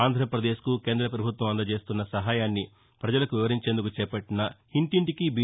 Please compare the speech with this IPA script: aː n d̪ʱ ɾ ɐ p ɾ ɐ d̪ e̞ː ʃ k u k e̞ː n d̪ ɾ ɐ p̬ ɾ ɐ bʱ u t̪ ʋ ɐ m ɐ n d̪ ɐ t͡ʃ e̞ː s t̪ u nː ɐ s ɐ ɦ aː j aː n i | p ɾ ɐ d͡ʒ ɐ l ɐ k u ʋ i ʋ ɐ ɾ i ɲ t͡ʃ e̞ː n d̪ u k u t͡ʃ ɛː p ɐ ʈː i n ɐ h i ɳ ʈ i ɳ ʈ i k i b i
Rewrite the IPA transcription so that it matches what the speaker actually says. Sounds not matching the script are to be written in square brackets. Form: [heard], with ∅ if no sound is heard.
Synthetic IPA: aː n d̪ʱ ɾ ɐ p ɾ ɐ d̪ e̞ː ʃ k u k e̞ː n d̪ ɾ ɐ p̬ ɾ ɐ bʱ u t̪ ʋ ɐ m ɐ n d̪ ɐ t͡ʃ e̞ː s t̪ u nː ɐ s ɐ ɦ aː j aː [nː] i | p ɾ ɐ d͡ʒ ɐ l ɐ k u ʋ i ʋ ɐ ɾ i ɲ t͡ʃ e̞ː n d̪ u k u t͡ʃ ɛː p ɐ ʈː i n ɐ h i ɳ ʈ i ɳ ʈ i k i b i

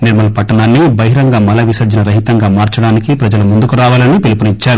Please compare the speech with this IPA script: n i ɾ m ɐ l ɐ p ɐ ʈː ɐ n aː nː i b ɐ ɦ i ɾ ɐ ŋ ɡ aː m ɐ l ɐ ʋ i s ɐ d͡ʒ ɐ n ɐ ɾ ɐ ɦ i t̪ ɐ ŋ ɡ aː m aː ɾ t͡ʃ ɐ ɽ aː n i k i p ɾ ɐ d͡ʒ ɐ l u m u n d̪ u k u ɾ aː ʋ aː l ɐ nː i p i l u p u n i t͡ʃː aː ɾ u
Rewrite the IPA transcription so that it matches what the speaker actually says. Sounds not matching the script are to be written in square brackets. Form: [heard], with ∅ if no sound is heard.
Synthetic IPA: n i ɾ m ɐ l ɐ p ɐ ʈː ɐ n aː nː i b ɐ ɦ i ɾ ɐ ŋ ɡ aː m ɐ l ɐ ʋ i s ɐ d͡ʒ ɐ n ɐ ɾ ɐ ɦ i t̪ ɐ ŋ ɡ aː m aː ɾ t͡ʃ ɐ ɽ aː n i k i p ɾ ɐ d͡ʒ ɐ l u m u n d̪ u k u ɾ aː ʋ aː l ɐ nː i p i l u p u n i t͡ʃː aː ɾ u

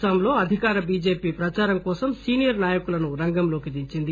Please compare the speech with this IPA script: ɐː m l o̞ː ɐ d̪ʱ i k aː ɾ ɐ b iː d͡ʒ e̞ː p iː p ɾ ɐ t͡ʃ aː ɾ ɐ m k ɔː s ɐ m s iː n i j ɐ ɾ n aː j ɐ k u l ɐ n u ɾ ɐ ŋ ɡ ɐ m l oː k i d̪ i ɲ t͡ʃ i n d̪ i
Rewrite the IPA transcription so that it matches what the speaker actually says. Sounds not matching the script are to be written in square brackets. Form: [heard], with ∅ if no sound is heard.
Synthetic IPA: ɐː m l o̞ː ɐ d̪ʱ i k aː ɾ ɐ b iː d͡ʒ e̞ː p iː p ɾ ɐ t͡ʃ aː ɾ ɐ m k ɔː s ɐ m s iː n i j ɐ ɾ n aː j ɐ k u l ɐ n u ɾ ɐ ŋ ɡ ɐ m l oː k i d̪ i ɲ t͡ʃ i n d̪ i

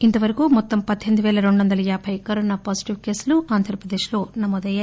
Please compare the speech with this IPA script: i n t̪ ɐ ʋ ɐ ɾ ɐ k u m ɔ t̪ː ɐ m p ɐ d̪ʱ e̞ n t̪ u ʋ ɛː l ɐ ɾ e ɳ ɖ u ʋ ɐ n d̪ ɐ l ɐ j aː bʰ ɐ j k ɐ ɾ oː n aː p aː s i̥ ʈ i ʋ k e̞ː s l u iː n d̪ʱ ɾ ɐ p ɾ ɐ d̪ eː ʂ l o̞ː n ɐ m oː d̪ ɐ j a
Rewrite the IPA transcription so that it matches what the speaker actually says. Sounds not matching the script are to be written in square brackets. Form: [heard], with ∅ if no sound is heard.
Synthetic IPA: i n t̪ ɐ ʋ ɐ ɾ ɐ k u m ɔ t̪ː ɐ m p ɐ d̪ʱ e̞ n [d̪] u ʋ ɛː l ɐ ɾ e ɳ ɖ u ʋ ɐ n d̪ ɐ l ɐ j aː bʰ ɐ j k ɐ ɾ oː n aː p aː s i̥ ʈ i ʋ k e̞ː s l u [aː] n d̪ʱ ɾ ɐ p ɾ ɐ d̪ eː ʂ l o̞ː n ɐ m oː d̪ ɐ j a

